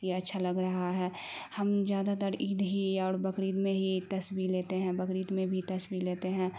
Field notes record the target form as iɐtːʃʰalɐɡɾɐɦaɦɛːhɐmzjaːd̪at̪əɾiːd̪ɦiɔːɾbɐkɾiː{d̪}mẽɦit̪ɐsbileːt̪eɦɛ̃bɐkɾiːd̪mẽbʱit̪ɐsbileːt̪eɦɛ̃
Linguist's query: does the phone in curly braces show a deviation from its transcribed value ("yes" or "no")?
no